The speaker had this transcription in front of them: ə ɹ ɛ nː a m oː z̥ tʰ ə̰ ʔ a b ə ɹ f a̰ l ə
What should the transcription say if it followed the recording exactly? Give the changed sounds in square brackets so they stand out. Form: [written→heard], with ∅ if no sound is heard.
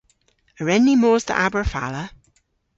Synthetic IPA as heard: ə ɹ ɛ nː [a→i] m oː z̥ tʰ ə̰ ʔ a b ə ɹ f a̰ l ə